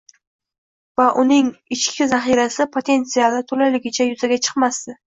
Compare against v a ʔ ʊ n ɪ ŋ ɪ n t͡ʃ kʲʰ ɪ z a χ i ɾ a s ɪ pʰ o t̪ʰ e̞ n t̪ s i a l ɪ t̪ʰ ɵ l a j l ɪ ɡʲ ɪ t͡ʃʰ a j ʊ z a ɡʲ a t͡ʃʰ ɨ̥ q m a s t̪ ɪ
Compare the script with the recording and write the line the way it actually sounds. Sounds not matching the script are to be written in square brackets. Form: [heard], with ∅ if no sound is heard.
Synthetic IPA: v a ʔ ʊ n ɪ ŋ ɪ [∅] t͡ʃ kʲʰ ɪ z a χ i ɾ a s ɪ pʰ o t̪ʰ e̞ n t̪ s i a l ɪ t̪ʰ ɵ l a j l ɪ ɡʲ ɪ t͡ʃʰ a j ʊ z a ɡʲ a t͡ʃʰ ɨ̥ q m a s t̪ ɪ